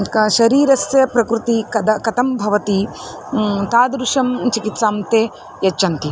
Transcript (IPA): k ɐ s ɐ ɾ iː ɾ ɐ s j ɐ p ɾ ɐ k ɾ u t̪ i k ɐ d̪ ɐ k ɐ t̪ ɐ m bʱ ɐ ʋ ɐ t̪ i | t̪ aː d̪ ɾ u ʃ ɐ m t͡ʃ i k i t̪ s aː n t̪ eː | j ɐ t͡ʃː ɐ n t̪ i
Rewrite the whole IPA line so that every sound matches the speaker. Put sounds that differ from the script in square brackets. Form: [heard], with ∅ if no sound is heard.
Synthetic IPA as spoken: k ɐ [ʃ] ɐ ɾ iː ɾ ɐ s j ɐ p ɾ ɐ k ɾ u t̪ i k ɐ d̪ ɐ k ɐ t̪ ɐ m bʱ ɐ ʋ ɐ t̪ i | t̪ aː d̪ ɾ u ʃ ɐ m t͡ʃ i k i t̪ s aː [m] t̪ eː | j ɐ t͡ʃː ɐ n t̪ i